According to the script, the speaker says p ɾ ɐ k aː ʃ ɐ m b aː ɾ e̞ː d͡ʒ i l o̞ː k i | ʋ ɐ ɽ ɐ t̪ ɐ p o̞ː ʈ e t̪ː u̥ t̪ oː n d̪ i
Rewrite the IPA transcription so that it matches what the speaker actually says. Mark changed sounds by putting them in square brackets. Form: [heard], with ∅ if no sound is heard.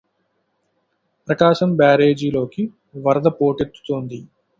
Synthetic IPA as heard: p ɾ ɐ k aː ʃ ɐ m b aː ɾ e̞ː d͡ʒ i l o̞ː k i | ʋ ɐ [ɾ] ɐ [d̪] ɐ p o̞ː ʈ e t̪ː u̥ t̪ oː n d̪ i